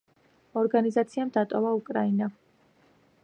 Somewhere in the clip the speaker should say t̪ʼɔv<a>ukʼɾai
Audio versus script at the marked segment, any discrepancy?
no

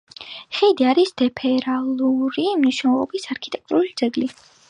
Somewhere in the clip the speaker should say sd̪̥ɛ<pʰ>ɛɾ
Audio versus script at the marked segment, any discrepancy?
no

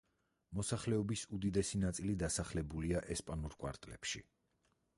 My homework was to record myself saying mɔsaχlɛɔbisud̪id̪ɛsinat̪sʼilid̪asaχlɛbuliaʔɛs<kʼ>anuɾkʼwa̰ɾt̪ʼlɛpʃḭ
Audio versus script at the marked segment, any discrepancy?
yes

